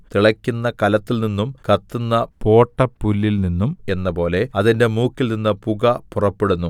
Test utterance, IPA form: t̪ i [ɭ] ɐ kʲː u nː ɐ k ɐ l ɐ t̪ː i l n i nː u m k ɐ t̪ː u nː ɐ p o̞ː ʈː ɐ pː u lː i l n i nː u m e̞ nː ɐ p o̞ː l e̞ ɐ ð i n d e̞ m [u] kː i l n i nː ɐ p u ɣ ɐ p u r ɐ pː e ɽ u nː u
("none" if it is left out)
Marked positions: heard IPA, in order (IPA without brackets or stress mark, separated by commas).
ɭ, uː